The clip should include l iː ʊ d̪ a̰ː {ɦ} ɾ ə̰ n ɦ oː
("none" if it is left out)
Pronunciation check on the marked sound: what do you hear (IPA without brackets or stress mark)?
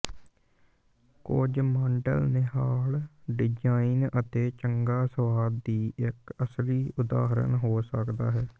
ɦ